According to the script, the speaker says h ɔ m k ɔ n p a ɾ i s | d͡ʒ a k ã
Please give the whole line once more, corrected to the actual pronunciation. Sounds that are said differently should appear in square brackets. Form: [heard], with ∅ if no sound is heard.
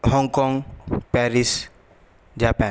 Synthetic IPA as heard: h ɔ [ŋ] k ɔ [ŋ] p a ɾ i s | d͡ʒ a [p] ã